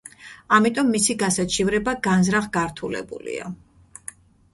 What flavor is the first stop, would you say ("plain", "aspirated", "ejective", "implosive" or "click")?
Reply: ejective